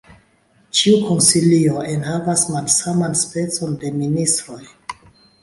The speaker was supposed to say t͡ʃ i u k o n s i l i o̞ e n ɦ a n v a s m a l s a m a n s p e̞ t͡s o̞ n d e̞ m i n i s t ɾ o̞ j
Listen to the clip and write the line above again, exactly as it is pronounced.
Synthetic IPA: t͡ʃ i u k o n s i l i o̞ e n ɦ a v a s m a l s a m a n s p e̞ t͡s o̞ n d e̞ m i n i s t ɾ o̞ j